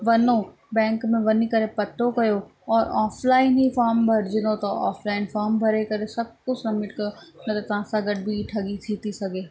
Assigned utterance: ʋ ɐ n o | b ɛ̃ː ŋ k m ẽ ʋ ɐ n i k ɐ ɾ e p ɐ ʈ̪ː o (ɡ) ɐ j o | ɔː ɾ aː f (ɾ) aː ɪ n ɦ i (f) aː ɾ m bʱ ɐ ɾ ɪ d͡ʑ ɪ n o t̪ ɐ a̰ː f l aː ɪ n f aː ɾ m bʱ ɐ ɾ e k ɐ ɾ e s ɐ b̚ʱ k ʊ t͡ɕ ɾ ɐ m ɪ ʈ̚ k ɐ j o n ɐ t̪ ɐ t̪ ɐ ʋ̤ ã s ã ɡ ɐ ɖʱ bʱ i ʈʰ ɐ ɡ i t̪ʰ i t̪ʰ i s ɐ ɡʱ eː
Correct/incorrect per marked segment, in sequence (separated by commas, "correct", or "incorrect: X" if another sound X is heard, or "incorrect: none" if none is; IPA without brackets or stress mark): incorrect: k, incorrect: l, correct